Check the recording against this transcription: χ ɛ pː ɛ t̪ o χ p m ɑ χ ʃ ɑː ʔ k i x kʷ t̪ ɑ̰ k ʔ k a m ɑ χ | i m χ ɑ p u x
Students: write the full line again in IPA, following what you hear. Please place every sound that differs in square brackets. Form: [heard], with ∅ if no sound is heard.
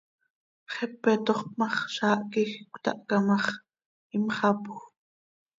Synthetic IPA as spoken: χ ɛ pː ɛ t̪ o χ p m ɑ χ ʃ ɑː ʔ k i x kʷ t̪ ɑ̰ [∅] ʔ k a m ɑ χ | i m χ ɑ p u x

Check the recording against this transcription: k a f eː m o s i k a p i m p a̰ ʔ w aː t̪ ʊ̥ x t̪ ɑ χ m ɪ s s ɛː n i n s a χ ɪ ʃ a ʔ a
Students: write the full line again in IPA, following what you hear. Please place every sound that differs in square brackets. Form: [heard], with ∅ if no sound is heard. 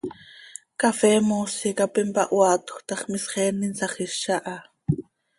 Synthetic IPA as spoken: k a f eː m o s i k a p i m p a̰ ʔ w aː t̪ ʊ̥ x t̪ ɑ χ m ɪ s [χ] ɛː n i n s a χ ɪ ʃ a ʔ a

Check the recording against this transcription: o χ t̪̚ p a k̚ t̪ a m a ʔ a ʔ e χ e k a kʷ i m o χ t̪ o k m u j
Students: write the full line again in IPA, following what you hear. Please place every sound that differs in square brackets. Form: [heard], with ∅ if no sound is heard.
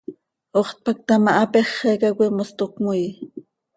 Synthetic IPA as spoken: o χ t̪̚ p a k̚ t̪ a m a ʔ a [p] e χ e k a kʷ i m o [s] t̪ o k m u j

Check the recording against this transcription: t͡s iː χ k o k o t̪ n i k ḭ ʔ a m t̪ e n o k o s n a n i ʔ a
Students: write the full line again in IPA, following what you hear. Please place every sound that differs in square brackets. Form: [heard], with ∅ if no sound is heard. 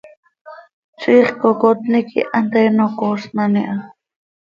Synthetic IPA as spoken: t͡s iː χ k o k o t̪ n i k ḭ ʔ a [n] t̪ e n o k o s n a n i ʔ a

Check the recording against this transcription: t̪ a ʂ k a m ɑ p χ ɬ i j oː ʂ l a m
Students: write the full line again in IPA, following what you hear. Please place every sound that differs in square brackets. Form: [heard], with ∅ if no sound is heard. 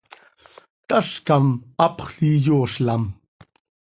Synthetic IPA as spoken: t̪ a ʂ k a m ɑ p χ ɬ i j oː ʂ l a m

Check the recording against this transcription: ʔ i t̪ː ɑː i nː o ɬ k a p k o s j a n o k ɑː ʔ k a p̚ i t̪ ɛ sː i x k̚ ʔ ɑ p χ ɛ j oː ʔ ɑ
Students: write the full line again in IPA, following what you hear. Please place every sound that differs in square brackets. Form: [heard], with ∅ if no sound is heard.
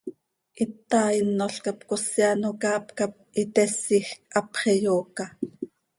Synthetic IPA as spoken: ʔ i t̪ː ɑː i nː o ɬ k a p k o s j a n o k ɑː [p] k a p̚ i t̪ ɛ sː i x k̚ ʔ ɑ p χ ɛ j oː [k] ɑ

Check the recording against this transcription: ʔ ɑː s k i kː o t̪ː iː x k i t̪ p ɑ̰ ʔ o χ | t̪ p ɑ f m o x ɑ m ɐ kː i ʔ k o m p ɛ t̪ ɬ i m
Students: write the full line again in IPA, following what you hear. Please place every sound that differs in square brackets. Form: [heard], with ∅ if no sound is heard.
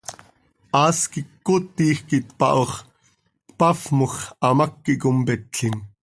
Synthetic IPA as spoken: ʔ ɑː s k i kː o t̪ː iː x k i t̪ p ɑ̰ ʔ o χ | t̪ p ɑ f m o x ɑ m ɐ kː i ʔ k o m p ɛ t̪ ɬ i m

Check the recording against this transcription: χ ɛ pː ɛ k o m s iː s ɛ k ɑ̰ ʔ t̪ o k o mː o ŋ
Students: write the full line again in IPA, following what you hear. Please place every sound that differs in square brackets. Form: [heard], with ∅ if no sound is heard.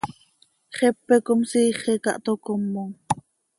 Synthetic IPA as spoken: χ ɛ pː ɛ k o m s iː [χ] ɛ k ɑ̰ ʔ t̪ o k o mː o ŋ

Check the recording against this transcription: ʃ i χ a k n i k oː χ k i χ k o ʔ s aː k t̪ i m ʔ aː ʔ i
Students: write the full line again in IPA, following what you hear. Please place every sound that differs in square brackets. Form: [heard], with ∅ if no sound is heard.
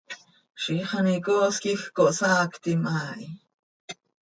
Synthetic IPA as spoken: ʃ i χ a [∅] n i k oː [s] k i [x] k o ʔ s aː k t̪ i m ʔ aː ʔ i

